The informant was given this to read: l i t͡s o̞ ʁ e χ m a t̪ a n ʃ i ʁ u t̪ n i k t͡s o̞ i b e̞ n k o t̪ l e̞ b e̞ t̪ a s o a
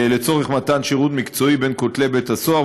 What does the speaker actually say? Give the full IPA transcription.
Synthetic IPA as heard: l e t͡s o̞ ʁ e χ m a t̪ a n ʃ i ʁ u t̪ m i k t͡s o̞ i b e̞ n k o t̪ l e̞ b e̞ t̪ a s o a